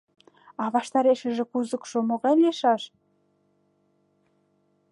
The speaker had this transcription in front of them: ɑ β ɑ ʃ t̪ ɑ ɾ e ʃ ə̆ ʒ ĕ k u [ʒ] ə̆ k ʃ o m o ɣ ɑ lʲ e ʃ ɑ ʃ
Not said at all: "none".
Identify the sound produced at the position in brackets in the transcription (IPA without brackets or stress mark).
z